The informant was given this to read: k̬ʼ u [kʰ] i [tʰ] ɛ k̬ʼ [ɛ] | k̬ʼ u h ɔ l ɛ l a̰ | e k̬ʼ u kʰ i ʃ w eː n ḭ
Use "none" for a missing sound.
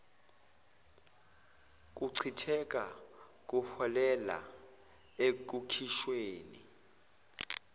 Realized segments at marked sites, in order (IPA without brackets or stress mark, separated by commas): ǀʰ, tʰ, a